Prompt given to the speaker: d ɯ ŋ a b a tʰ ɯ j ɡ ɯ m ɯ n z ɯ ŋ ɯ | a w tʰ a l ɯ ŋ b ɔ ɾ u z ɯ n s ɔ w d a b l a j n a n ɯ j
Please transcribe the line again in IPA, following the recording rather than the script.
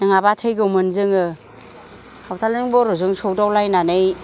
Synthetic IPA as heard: n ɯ ŋ a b a tʰ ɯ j ɡ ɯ m ɯ n z ɯ ŋ ɯ | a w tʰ a l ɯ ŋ b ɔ ɾ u z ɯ ŋ s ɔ w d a w l a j n a n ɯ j

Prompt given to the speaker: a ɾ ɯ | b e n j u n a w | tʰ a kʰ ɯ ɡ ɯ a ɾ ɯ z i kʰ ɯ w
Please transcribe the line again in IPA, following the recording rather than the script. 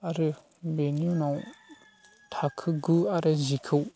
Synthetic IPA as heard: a ɾ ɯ | b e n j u n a w | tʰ a kʰ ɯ ɡ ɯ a ɾ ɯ z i kʰ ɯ w

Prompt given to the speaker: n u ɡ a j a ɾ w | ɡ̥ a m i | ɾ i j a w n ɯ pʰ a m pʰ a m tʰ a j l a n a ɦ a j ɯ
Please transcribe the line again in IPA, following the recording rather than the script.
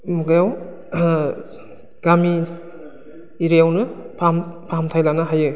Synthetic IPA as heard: m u ɡ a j a w | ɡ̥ a m i | ɾ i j a w n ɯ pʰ a m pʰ a m tʰ a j l a n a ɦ a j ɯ

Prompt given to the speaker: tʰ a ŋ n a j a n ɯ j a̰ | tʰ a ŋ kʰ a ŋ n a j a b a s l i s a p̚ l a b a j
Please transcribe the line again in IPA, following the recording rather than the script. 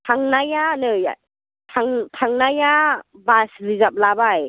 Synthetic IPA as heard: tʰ a ŋ n a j a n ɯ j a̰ | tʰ a ŋ tʰ a ŋ n a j a b a s l i z a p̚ l a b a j

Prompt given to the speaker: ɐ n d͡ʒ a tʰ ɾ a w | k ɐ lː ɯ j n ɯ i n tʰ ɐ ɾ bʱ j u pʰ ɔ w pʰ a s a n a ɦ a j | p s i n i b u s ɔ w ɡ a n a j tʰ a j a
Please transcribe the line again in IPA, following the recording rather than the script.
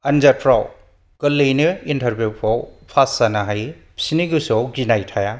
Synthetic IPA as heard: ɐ n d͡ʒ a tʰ ɾ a w | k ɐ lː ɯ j n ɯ i n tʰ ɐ ɾ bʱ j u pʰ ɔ w pʰ a s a n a ɦ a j | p s i n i ɡ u s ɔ w ɡ i n a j tʰ a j a

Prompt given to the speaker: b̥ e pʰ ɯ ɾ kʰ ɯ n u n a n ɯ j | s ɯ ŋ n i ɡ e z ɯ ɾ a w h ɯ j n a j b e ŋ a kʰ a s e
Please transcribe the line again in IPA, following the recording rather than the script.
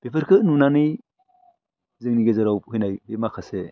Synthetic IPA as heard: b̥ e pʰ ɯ ɾ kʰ ɯ n u n a n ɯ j | z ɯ ŋ n i ɡ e z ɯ ɾ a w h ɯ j n a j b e m a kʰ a s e

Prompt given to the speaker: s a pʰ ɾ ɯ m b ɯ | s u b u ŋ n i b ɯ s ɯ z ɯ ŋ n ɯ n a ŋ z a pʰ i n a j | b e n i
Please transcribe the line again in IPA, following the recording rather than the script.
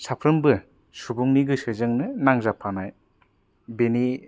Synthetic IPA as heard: s a pʰ ɾ ɯ m b ɯ | s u b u ŋ n i ɡ ɯ s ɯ z ɯ ŋ n ɯ n a ŋ z a pʰ a n a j | b e n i

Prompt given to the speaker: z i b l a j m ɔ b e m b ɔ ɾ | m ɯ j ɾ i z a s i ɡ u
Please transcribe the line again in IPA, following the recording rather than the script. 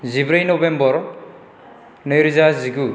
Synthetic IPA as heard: z i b ɾ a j n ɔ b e m b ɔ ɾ | n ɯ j ɾ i z a z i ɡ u

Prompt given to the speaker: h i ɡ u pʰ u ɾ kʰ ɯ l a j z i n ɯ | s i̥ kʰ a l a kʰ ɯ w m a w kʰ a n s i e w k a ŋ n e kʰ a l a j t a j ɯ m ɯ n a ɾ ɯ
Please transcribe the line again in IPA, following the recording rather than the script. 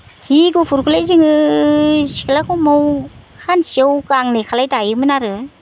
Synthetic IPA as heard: h i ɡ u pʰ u ɾ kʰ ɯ l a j z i ŋ ɯ | s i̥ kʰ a l a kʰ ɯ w m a w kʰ a n s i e w k a ŋ n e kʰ a l a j t a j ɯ m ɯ n a ɾ ɯ

